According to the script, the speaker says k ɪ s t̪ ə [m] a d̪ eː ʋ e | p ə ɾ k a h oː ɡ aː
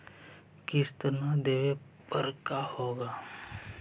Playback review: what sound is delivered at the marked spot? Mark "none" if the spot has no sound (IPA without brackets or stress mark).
n